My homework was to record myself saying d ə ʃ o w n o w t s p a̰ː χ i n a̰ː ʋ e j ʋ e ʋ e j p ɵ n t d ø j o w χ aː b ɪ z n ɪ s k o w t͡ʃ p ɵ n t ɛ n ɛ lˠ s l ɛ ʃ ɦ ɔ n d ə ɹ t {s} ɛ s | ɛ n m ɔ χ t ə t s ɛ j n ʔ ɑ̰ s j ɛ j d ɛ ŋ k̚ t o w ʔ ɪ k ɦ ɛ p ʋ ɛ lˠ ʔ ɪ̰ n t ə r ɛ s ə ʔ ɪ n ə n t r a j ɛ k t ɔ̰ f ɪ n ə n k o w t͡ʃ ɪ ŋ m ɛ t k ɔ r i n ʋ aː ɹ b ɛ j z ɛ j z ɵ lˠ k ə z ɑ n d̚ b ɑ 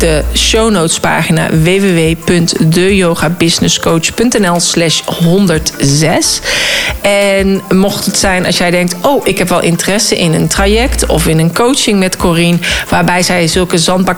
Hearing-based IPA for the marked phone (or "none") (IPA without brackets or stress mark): z